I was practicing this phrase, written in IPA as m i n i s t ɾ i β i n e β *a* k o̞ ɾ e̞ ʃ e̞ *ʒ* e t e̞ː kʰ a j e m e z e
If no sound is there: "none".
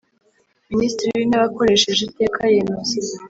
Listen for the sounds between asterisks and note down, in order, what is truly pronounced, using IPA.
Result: a, ʒ

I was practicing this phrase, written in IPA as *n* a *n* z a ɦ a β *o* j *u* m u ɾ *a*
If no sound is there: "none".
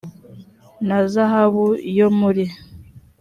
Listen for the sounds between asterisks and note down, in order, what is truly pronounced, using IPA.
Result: n, none, u, o, i

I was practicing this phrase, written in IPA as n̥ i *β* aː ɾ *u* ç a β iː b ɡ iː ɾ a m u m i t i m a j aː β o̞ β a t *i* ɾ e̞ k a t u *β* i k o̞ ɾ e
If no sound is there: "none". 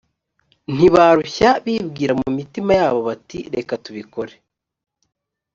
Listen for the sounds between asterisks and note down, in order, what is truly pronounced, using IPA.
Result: β, u, i, β

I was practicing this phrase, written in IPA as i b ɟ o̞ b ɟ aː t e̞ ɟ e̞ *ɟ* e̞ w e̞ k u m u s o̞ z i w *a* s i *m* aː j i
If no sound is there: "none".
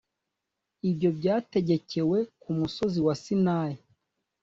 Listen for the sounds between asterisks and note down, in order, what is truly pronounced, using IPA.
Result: c, a, n

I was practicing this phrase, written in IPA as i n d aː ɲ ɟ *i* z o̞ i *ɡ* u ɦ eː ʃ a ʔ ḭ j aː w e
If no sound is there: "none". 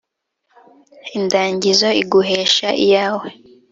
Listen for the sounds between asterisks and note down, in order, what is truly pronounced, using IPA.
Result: i, ɡ

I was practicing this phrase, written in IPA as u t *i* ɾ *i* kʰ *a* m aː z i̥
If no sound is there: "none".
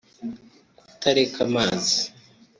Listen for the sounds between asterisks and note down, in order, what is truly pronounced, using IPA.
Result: a, e, a

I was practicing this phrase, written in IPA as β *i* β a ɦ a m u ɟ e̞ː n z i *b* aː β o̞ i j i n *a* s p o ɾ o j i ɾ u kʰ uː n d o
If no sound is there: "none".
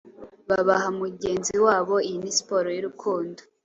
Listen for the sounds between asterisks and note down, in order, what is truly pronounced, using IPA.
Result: a, w, i

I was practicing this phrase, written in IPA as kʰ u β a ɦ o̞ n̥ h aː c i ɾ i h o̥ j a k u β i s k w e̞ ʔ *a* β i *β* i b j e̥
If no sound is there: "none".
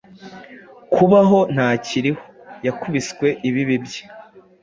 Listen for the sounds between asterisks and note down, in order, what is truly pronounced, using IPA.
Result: i, β

